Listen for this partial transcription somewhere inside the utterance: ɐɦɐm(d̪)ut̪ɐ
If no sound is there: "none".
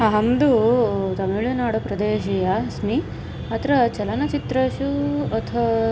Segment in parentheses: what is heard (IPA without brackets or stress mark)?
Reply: d̪